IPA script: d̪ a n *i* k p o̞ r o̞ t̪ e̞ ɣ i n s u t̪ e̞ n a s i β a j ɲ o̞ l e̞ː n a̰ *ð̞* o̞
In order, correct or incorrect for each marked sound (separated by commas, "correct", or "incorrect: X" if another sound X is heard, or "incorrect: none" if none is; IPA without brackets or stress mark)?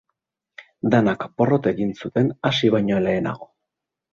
incorrect: a, incorrect: ɣ̞